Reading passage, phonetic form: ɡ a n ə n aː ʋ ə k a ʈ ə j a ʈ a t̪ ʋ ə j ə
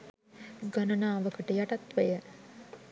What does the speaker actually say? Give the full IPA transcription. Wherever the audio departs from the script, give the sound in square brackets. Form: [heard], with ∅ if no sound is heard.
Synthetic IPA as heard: ɡ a n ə n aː ʋ ə k [ə] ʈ ə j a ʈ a t̪ ʋ ə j ə